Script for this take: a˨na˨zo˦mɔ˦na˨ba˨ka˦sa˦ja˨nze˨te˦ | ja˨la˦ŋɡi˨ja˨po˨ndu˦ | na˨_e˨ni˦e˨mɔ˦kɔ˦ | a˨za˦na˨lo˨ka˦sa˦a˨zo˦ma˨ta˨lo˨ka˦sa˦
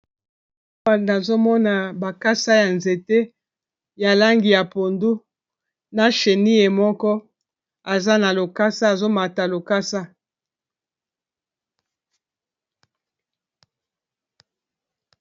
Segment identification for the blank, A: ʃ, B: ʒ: A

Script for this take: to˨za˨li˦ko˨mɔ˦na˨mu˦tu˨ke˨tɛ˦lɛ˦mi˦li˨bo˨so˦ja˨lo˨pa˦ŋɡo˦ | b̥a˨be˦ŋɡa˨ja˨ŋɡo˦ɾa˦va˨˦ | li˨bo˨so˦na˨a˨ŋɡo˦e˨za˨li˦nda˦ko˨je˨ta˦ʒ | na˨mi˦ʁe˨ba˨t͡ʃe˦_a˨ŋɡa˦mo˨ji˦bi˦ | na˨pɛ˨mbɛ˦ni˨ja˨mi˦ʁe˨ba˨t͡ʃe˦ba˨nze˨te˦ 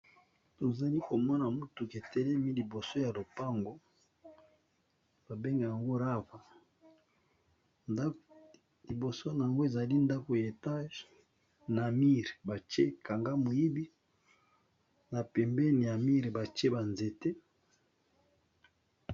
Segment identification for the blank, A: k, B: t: A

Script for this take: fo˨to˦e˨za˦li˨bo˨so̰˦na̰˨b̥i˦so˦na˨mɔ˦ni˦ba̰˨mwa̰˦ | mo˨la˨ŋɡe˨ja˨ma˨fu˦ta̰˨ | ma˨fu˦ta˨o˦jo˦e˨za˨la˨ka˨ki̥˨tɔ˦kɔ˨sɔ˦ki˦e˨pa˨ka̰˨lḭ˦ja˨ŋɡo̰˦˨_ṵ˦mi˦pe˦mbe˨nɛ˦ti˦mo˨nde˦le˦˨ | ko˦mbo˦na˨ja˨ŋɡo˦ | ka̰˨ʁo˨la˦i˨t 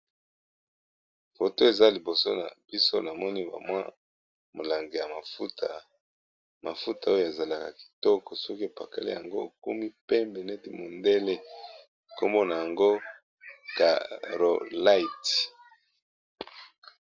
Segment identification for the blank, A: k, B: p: A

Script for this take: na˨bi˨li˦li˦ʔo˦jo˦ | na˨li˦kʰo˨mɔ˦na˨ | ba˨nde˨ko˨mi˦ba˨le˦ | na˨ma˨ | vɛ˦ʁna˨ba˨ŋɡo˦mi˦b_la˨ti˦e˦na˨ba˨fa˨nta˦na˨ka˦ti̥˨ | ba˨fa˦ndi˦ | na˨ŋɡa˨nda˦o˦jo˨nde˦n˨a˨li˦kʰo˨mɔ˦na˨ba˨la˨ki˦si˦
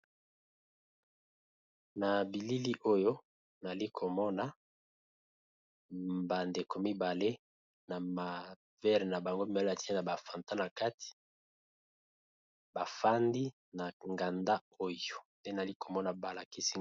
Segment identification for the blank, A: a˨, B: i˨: A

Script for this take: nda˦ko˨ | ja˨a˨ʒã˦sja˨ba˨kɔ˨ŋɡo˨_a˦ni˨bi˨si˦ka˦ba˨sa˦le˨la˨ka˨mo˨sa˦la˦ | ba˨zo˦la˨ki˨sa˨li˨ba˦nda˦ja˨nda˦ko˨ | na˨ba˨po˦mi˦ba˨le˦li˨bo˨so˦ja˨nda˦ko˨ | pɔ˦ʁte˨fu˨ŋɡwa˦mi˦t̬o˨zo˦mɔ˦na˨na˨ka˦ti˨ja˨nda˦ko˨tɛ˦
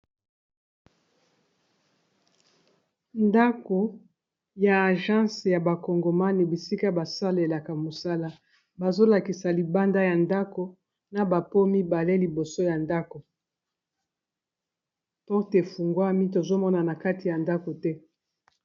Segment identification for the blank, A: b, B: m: B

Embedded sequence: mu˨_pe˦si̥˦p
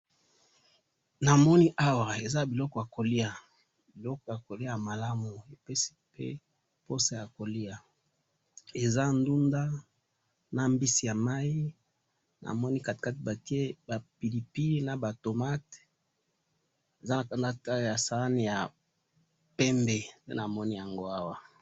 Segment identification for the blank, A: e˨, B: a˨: A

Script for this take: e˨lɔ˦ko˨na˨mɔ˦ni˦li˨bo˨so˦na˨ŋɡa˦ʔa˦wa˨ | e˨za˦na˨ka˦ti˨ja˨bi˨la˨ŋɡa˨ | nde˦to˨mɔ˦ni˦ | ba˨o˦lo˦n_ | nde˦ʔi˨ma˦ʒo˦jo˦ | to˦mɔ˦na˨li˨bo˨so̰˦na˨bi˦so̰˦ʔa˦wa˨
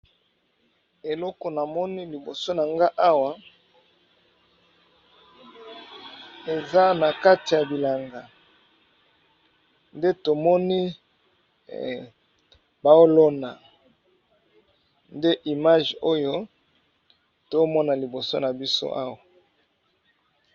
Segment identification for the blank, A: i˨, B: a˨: B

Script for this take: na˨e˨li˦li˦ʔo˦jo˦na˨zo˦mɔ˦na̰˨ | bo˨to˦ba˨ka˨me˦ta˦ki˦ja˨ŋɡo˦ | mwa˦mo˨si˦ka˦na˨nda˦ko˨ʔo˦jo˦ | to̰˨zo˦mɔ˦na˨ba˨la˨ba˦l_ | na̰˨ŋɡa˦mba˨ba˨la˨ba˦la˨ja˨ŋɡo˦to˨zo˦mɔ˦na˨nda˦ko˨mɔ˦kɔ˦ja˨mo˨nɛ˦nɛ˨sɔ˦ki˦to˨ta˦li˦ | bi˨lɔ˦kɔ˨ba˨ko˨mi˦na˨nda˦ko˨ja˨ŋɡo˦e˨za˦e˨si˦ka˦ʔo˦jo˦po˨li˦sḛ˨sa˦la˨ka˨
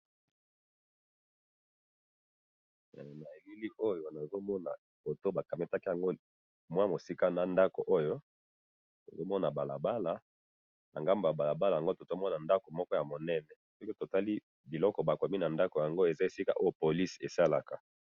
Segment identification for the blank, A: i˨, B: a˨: B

